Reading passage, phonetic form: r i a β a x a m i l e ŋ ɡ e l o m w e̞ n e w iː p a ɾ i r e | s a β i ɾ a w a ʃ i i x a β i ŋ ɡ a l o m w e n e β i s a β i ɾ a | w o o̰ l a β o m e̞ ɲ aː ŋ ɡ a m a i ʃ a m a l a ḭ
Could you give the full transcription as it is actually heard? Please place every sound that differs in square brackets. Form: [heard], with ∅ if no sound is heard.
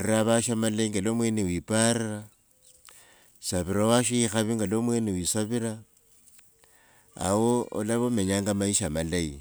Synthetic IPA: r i a β a [ʃ] a m [a] l e ŋ ɡ e l o m w e̞ n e w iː p a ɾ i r [a] | s a β i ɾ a w a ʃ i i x a β i ŋ ɡ a l o m w e n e [w] i s a β i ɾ a | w o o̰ l a β o m e̞ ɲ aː ŋ ɡ a m a i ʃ a m a l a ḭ